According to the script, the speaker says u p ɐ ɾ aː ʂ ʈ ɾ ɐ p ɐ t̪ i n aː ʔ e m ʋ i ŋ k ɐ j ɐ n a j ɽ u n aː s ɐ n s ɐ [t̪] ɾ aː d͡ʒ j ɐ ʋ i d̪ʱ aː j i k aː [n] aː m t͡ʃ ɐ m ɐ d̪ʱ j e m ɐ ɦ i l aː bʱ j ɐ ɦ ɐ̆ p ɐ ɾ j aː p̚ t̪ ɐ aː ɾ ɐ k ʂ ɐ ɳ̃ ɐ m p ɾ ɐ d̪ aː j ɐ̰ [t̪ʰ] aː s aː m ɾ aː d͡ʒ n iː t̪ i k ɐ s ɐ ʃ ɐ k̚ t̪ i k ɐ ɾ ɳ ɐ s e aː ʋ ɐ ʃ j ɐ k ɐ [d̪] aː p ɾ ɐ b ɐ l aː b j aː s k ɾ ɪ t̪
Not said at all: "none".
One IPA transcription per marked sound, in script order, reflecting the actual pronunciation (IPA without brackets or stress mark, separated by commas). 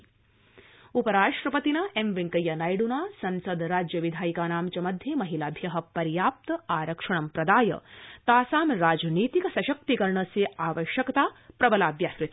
d̪, n, t̪, t̪